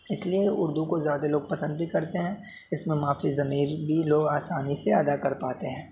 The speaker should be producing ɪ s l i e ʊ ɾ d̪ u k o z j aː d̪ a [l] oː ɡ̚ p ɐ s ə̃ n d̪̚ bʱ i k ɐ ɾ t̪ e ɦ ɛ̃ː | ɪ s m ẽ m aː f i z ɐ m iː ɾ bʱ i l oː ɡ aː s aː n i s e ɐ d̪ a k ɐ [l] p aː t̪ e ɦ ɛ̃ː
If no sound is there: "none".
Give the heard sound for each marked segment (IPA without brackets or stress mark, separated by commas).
l, ɾ